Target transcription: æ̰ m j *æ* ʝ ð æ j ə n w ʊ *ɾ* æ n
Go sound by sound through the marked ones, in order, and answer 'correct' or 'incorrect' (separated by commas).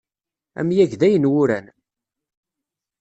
correct, correct